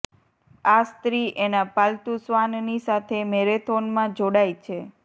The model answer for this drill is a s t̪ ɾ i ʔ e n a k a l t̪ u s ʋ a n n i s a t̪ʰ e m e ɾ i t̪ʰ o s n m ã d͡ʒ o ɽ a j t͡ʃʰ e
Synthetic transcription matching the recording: a s t̪ ɾ i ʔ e n a p a l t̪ u s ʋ a n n i s a t̪ʰ e m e ɾ e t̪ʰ o n m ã d͡ʒ o ɽ a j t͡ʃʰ e